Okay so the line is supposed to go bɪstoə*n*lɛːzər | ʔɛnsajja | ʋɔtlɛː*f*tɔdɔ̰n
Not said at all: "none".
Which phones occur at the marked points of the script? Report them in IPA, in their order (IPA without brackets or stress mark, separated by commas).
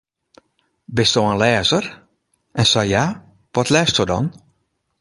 n, s